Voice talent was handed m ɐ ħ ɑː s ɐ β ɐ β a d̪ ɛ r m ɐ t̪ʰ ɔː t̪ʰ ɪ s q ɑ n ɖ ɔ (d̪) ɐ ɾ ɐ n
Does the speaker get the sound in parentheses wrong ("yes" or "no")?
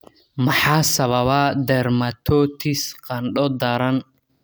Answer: no